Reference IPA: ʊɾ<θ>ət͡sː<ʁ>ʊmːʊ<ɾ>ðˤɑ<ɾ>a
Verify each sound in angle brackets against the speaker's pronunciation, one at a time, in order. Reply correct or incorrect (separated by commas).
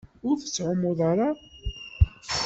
correct, incorrect, incorrect, correct